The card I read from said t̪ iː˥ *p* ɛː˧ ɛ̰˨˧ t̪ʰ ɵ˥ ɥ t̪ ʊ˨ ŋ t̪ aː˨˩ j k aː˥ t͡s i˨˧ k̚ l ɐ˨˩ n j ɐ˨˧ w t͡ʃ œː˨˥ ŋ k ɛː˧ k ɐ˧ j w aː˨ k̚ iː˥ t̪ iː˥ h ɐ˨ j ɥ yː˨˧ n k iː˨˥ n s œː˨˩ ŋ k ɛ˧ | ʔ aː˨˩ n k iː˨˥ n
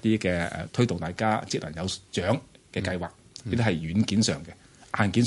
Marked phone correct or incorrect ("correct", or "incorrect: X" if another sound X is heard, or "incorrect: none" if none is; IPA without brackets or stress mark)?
incorrect: k